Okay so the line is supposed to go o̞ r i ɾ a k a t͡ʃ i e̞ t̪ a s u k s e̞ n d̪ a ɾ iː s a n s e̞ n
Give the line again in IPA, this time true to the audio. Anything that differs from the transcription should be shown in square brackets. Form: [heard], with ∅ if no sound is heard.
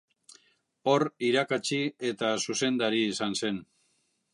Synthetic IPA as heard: o̞ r i ɾ a k a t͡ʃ i e̞ t̪ a s u [∅] s e̞ n d̪ a ɾ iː s a n s e̞ n